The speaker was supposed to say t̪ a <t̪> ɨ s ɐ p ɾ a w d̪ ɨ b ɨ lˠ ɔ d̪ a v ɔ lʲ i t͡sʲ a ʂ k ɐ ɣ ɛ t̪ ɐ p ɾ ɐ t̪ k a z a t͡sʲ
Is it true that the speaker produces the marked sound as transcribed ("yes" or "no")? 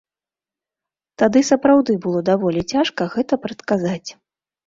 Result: no